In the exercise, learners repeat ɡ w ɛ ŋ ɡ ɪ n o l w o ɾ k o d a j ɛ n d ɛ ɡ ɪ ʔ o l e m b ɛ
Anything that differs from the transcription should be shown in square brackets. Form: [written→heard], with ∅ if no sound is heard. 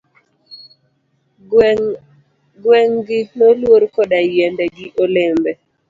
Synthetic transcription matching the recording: ɡ w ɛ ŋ ɡ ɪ n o l w o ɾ k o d a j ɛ n d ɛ ɡ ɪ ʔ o l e m b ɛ

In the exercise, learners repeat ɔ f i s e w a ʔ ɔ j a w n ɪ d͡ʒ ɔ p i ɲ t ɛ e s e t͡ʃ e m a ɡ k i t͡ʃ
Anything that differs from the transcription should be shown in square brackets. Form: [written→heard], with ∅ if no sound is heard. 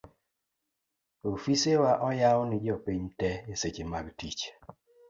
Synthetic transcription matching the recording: [ɔ→o] f i s e w a ʔ ɔ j a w n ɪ d͡ʒ ɔ p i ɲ t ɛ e s e t͡ʃ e m a ɡ [k→t] i t͡ʃ

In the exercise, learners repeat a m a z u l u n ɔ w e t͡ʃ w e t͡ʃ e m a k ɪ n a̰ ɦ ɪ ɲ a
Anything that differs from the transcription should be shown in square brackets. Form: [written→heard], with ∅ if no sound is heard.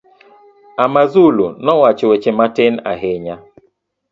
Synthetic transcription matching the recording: a m a z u l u n ɔ w [e→a] t͡ʃ w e t͡ʃ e m a [k→t] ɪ n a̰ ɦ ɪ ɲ a

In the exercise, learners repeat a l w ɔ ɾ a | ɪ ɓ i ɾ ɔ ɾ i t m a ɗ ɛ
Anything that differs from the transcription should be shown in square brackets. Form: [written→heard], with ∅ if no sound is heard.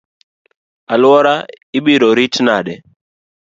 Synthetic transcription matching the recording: a l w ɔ ɾ a | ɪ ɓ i ɾ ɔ ɾ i t [m→n] a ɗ ɛ

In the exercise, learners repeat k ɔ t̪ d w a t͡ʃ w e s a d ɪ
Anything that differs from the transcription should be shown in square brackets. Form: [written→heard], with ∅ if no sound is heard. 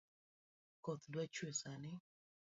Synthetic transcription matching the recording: k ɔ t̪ d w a t͡ʃ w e s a [d→n] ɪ

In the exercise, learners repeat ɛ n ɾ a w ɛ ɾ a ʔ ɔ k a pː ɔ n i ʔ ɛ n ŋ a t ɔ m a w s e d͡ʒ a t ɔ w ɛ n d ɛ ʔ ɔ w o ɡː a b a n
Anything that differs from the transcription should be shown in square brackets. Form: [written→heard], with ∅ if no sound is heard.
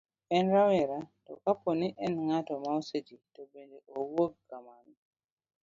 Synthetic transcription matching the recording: ɛ n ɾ a w ɛ ɾ a [ʔ→t] ɔ k a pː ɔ n i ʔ ɛ n ŋ a t ɔ m a w s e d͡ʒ [a→i] t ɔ [w→b] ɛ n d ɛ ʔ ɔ w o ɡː a [b→m] a n

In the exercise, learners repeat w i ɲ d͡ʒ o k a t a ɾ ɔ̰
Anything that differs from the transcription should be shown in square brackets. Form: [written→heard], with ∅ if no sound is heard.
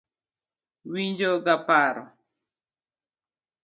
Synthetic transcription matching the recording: w i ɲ d͡ʒ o [k→ɡ] a [t→p] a ɾ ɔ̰

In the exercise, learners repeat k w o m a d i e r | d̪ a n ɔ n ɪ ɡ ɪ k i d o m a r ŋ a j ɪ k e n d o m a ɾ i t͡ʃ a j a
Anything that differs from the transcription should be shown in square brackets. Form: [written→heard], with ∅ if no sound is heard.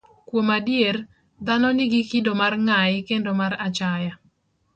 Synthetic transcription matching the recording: k w o m a d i e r | d̪ a n ɔ n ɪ ɡ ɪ k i d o m a r ŋ a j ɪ k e n d o m a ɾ [i→a] t͡ʃ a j a

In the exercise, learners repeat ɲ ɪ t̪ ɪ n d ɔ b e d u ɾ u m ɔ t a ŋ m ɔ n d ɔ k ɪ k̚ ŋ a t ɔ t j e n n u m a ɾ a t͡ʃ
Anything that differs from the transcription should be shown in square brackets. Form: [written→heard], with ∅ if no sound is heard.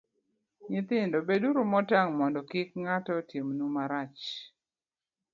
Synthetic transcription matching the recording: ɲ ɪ t̪ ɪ n d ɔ b e d u ɾ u m ɔ t a ŋ m ɔ n d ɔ k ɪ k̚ ŋ a t ɔ t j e [n→m] n u m a ɾ a t͡ʃ

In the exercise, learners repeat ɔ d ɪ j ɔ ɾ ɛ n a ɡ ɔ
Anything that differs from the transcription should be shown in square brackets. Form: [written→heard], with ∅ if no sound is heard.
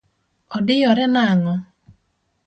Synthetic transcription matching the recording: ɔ d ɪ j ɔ ɾ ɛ n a [ɡ→ŋ] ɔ

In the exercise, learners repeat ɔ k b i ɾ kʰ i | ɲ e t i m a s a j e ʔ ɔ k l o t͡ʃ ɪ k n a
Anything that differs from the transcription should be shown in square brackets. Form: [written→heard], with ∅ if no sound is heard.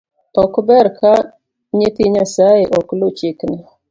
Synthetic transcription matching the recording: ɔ k b [i→ɛ] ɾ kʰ [i→a] | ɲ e t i [m→ɲ] a s a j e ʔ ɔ k l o t͡ʃ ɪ k n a

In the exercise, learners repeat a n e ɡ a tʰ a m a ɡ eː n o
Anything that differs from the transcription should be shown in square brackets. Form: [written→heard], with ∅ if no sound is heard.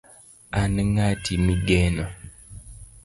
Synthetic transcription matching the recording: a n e [ɡ→ŋ] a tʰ [a→i] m [a→i] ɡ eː n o

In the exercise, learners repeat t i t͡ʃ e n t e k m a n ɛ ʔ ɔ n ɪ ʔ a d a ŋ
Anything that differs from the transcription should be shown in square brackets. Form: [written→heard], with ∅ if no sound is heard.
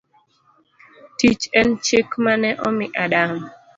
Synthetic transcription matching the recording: t i t͡ʃ [e→ɛ] n [t→t͡ʃ] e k m a n ɛ ʔ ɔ [n→m] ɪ ʔ a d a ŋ

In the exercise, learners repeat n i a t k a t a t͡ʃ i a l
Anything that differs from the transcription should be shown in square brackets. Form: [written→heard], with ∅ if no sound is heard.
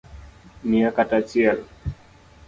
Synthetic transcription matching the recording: n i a [t→∅] k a t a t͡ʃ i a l

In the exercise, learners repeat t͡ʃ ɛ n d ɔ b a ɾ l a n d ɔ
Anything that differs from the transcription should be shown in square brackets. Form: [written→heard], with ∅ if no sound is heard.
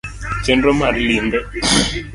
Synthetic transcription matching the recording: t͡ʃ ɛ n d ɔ [b→m] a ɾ l [a→i] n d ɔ

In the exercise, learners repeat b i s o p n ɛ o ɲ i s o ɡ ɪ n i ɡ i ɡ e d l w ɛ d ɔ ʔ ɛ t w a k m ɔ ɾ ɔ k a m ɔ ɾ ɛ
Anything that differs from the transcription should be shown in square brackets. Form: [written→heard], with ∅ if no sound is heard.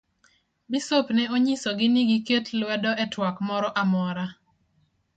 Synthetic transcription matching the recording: b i s o p n ɛ o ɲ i s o ɡ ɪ n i ɡ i [ɡ→k] e [d→t] l w ɛ d ɔ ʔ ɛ t w a k m ɔ ɾ ɔ [k→ʔ] a m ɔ ɾ [ɛ→a]

